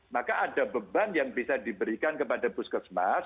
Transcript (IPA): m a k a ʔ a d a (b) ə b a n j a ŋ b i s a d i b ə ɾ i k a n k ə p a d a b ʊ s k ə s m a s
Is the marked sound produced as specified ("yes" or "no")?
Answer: yes